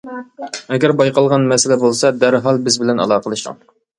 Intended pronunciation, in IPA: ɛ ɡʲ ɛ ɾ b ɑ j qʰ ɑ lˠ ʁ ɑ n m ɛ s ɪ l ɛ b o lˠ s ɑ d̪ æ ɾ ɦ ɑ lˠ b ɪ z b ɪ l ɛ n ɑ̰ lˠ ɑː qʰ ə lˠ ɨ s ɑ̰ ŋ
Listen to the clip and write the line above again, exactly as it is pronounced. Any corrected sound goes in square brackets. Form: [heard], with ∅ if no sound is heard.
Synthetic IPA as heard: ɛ ɡʲ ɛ ɾ b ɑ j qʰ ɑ lˠ ʁ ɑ n m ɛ s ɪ l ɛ b o lˠ s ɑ d̪ æ ɾ ɦ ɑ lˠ b ɪ z b ɪ l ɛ n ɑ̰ lˠ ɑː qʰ ə lˠ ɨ [ʃ] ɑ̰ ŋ